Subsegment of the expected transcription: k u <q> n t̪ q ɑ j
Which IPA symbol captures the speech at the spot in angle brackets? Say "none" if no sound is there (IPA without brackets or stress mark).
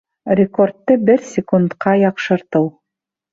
none